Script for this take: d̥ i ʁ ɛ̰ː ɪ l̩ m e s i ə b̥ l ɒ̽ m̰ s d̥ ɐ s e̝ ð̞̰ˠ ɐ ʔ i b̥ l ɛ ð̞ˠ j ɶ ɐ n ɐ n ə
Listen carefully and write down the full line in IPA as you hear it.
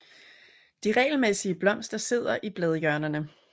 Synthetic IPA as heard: d̥ i ʁ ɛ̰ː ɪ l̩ m e s i ə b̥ l ɒ̽ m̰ s d̥ ɐ s e̝ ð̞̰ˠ ɐ ʔ i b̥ l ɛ ð̞ˠ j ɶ ɐ n ɐ n ə